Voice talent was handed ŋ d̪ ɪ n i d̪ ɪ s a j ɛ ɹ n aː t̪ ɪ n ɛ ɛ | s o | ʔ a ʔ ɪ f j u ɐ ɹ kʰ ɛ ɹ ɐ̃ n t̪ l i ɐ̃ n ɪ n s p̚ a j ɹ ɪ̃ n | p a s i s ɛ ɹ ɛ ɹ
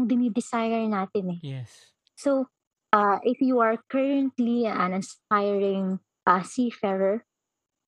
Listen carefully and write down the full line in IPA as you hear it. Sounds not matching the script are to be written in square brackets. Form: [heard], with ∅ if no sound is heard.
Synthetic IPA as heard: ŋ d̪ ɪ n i d̪ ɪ s a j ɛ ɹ n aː t̪ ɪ n ɛ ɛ | s o | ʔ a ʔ ɪ f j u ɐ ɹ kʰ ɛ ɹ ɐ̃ n t̪ l i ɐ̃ n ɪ n s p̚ a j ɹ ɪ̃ [ŋ] | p a s i [f] ɛ ɹ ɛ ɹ